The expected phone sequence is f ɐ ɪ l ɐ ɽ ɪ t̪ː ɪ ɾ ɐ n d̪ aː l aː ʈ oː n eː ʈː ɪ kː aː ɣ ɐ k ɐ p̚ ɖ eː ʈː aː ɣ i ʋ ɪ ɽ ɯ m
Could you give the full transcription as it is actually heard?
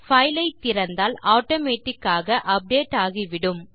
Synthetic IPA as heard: f ɐ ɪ l ɐ ɪ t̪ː ɪ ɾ ɐ n d̪ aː l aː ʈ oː m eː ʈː ɪ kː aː ɣ ɐ ʔ ɐ p̚ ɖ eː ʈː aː ɣ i ʋ ɪ ɽ ɯ m